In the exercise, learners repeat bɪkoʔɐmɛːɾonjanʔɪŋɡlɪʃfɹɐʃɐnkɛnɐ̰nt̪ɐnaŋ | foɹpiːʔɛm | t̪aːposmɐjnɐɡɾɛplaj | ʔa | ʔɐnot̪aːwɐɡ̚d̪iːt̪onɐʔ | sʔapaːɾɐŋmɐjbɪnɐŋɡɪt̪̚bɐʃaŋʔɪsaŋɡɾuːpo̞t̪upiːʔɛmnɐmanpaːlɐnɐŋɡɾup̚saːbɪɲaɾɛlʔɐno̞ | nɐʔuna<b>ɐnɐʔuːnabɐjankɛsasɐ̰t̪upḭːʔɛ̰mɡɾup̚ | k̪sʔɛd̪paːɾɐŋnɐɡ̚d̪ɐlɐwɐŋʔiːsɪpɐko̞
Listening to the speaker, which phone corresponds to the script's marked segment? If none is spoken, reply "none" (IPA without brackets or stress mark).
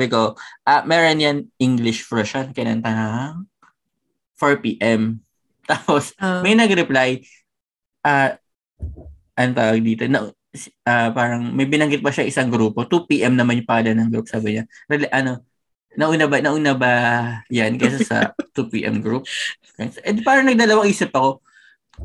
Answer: b